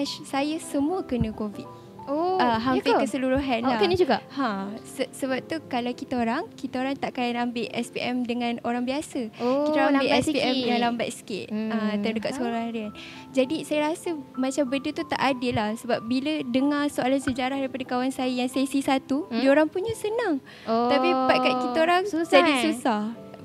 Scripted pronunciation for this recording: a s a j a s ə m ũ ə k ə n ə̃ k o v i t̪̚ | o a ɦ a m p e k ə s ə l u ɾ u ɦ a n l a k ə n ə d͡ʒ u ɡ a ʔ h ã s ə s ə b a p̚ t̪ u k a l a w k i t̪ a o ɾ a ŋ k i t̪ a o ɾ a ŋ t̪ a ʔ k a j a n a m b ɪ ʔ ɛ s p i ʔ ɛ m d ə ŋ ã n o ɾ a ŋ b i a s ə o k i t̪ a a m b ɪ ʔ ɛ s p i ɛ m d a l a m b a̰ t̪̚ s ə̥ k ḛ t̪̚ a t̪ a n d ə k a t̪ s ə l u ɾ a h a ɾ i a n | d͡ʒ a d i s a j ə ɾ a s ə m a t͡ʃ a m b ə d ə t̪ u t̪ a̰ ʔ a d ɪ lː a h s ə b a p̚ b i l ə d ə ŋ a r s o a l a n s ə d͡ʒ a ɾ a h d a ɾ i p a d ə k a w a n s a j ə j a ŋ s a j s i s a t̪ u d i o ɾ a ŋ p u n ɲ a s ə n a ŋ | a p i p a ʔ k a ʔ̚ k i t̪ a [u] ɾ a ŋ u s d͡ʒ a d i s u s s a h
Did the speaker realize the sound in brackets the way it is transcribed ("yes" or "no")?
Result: no